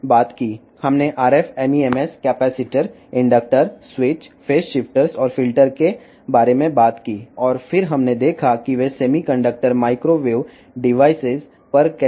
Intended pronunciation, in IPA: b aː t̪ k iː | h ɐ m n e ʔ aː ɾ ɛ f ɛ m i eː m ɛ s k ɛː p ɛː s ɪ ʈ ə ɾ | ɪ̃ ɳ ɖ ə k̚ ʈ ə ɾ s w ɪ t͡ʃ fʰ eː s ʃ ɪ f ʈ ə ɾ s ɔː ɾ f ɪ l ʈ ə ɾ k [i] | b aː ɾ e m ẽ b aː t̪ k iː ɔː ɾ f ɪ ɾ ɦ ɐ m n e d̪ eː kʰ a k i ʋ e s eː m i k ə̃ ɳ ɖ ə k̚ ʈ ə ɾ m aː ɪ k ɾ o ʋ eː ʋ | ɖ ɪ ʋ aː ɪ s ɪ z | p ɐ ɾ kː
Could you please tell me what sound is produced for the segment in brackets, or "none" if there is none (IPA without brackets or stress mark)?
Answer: e